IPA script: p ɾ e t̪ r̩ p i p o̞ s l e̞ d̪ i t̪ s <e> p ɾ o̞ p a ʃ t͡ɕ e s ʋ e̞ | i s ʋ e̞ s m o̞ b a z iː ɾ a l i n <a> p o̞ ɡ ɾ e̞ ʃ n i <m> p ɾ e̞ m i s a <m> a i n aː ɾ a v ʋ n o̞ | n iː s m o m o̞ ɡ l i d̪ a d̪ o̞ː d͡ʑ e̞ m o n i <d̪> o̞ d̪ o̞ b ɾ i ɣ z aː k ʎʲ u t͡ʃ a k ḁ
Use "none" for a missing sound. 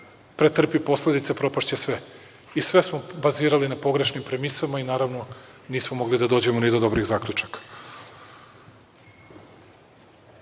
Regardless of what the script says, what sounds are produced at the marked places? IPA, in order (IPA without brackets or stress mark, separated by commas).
e, a, m, m, d̪